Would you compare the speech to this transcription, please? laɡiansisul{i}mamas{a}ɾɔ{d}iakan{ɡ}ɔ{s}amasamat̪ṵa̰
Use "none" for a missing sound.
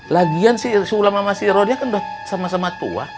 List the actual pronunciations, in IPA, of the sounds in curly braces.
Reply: a, i, d, d, s

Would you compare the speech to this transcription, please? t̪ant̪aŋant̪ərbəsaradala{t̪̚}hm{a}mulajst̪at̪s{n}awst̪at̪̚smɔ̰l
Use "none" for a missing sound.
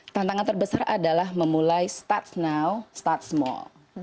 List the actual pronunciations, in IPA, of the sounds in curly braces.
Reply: none, ə, n

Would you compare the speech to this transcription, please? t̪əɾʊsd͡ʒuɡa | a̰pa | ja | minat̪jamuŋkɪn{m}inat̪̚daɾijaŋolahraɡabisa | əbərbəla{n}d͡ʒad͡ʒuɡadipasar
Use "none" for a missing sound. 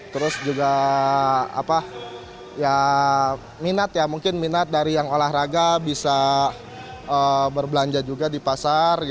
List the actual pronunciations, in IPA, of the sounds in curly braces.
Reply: m, ɲ

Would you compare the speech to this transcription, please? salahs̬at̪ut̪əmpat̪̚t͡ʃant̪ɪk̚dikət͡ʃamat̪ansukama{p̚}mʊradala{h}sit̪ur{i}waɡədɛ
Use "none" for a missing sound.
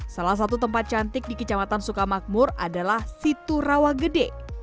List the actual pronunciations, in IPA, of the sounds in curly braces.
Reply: k̚, h, a

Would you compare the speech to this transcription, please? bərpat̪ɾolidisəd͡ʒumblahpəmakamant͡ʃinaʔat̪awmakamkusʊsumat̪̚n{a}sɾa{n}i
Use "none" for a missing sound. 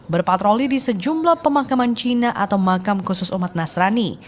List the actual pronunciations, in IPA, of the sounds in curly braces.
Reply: a, n

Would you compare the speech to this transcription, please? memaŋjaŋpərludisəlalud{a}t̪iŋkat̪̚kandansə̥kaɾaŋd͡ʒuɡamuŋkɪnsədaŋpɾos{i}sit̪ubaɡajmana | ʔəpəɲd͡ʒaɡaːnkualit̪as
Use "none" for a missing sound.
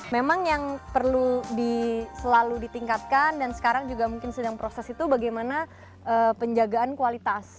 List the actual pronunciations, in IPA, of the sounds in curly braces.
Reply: i, ɛ

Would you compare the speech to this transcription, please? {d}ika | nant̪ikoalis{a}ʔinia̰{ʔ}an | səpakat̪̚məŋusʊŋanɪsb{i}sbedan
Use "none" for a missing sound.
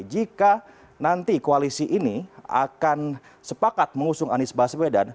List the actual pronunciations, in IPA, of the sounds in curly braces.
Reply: d͡ʒ, i, k, a

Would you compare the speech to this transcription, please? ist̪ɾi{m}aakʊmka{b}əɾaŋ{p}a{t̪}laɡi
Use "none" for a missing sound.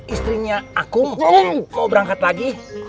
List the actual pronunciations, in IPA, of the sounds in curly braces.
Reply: ɲ, b, k, t̪

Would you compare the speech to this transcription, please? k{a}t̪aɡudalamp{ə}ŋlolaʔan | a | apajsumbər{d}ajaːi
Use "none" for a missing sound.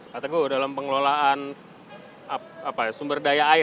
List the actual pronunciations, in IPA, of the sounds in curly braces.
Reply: a, ə, d

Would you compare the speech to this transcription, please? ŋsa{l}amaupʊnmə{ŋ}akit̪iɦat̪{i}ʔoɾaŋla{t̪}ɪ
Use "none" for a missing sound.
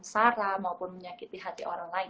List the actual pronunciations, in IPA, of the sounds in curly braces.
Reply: ɾ, ɲ, i, none

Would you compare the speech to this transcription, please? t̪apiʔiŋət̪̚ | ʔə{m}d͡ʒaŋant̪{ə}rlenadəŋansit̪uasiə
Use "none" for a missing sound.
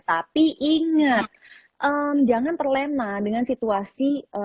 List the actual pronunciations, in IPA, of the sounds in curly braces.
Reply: m, ə

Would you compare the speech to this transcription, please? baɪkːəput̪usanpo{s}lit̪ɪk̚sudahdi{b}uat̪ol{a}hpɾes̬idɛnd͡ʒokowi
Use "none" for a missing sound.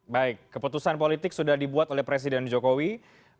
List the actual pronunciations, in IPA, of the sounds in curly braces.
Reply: none, b, ɛ

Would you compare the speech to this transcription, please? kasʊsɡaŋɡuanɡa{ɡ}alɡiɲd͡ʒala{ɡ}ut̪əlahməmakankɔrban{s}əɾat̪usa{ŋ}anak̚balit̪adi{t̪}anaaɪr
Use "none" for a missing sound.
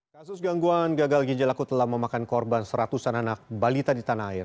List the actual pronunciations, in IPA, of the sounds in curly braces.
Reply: ɡ, k, s, n, t̪

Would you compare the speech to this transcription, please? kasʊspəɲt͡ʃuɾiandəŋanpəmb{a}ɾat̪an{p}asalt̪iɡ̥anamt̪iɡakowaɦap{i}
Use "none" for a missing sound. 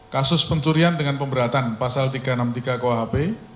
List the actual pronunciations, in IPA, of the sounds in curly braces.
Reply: ə, p, e

